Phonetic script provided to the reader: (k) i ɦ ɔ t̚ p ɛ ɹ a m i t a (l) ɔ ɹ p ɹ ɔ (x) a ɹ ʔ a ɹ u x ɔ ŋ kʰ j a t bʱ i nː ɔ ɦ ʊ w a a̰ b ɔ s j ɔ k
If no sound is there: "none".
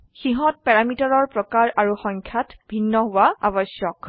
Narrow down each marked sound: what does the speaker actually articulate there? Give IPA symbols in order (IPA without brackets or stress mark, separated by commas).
x, ɹ, k